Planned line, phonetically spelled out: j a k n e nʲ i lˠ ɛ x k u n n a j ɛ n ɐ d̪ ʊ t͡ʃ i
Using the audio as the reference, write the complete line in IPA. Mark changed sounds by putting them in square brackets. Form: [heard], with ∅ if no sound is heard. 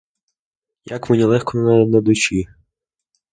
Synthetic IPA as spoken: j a k [m] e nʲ i lˠ ɛ x k [ɔ] n n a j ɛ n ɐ d̪ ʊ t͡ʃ i

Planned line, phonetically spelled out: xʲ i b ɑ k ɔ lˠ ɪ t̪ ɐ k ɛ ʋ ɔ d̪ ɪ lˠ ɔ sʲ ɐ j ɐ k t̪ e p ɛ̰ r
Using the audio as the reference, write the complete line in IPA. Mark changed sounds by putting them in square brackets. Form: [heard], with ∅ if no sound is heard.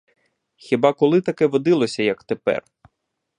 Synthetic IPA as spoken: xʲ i b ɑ k ɔ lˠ ɪ t̪ ɐ k ɛ ʋ ɔ d̪ ɪ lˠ ɔ sʲ ɐ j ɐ k t̪ e p ɛ̰ r

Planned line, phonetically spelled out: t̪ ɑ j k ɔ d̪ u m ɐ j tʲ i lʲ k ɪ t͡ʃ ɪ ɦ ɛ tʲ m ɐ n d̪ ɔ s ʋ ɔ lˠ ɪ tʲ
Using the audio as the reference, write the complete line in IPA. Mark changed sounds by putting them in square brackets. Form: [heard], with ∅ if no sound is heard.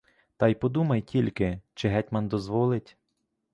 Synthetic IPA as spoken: t̪ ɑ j [p] ɔ d̪ u m ɐ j tʲ i lʲ k ɪ t͡ʃ ɪ ɦ ɛ tʲ m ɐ n d̪ ɔ [z] ʋ ɔ lˠ ɪ tʲ

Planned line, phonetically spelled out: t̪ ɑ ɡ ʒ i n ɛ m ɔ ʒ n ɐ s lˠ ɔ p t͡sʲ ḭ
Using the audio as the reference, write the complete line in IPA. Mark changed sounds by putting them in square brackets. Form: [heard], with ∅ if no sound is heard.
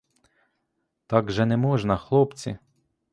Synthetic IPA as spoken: t̪ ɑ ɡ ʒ [ɛ] n ɛ m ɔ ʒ n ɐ [x] lˠ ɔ p t͡sʲ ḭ

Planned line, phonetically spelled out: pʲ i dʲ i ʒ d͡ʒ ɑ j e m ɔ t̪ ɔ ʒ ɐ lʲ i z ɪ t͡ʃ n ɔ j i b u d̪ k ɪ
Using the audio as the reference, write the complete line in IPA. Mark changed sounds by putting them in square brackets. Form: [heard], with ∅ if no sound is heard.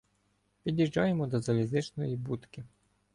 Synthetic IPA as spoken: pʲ i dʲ i ʒ d͡ʒ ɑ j e m ɔ [d̪] ɔ [z] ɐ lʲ i z ɪ t͡ʃ n ɔ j i b u [t̪] k ɪ

